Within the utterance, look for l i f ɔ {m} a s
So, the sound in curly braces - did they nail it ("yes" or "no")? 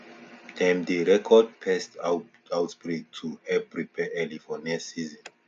no